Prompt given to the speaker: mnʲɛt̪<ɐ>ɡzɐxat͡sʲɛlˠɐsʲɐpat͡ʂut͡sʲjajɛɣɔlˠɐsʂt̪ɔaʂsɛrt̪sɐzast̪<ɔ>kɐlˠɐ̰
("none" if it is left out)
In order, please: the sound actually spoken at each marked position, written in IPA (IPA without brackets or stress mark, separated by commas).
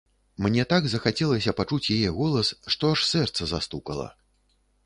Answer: a, u